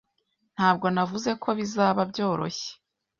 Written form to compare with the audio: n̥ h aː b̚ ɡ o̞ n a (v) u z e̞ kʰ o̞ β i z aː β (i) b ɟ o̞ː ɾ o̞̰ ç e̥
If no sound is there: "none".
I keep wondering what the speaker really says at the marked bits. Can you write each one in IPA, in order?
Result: v, a

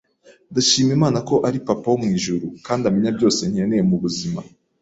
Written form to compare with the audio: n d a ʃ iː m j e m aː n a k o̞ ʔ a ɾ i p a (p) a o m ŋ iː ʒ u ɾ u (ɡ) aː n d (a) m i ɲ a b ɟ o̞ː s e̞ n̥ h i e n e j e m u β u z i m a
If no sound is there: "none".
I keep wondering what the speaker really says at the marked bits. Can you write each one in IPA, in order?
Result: p, k, a

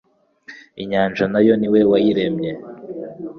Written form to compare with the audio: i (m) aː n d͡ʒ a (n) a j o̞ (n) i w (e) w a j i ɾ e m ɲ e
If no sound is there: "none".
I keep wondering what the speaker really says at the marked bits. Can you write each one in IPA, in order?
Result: ɲ, n, n, e

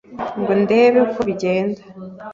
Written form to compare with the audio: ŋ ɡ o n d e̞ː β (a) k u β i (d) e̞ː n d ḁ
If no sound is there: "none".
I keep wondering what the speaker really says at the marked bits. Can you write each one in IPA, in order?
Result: e, ɟ

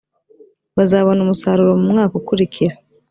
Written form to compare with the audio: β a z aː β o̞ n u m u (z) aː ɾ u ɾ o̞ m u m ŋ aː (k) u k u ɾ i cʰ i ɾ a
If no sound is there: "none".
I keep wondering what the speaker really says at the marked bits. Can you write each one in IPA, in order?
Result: s, k

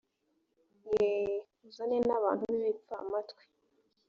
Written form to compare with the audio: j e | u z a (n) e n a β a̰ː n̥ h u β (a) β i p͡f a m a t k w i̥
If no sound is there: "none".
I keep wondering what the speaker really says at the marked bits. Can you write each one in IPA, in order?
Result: n, i

